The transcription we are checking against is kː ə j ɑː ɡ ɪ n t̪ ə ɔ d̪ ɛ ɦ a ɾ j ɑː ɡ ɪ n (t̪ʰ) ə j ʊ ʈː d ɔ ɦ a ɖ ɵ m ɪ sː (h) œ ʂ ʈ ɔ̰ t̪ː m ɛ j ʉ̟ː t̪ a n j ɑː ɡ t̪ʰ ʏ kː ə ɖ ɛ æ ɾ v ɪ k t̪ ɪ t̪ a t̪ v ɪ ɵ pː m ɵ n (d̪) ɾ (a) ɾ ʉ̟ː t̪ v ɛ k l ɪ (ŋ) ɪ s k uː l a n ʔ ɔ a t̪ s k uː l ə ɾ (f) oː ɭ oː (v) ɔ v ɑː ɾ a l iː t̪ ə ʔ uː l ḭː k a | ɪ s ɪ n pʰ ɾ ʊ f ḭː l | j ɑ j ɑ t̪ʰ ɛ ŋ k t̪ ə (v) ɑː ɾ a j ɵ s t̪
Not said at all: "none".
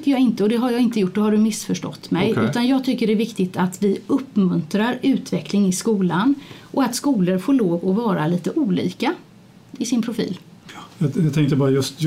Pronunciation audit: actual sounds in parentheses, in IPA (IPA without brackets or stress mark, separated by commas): t̪, f, t̪, a, ŋ, f, v, b